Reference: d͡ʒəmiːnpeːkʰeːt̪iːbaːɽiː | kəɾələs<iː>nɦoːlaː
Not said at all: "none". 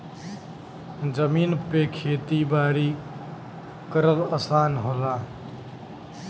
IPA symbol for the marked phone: aː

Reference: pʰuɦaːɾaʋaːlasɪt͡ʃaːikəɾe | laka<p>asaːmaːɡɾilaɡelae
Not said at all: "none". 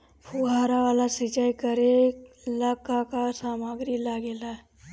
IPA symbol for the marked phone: k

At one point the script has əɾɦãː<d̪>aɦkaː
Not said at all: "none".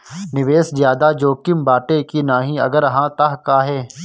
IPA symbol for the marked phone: t̪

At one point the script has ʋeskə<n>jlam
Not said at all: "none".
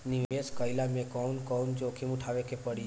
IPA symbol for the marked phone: none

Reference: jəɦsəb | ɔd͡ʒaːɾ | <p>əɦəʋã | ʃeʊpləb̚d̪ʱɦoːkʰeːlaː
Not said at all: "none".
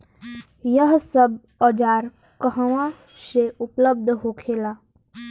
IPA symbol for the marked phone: k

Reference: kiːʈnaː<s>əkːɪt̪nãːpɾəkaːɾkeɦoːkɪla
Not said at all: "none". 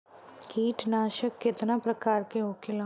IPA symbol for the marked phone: ʃ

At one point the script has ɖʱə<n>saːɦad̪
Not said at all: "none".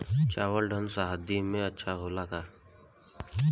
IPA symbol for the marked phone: n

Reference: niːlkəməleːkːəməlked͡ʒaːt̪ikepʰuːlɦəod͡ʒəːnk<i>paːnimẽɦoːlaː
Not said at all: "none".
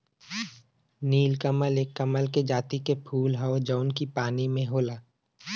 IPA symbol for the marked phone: i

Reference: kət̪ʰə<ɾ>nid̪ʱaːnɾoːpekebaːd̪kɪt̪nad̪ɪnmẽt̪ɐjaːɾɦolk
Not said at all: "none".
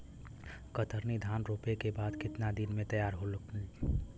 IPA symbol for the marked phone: ɾ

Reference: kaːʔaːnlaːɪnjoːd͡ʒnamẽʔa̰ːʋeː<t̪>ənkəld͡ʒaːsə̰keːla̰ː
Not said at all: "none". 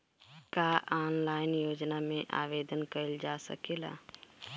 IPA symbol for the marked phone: d̪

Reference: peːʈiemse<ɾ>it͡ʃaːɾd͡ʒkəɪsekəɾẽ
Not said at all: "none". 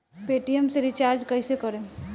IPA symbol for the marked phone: ɾ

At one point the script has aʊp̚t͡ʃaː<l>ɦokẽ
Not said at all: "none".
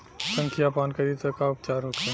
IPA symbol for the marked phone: ɾ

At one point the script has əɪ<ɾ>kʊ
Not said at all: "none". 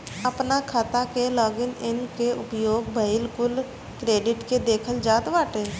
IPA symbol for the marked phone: l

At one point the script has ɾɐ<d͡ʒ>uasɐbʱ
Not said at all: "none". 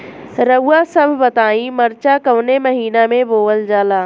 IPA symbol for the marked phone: none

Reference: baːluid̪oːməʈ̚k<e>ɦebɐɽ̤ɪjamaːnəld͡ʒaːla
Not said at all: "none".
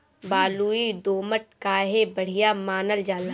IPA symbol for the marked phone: a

